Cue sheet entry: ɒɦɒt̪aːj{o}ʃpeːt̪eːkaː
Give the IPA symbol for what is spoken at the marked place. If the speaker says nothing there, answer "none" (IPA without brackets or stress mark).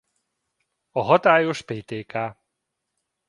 o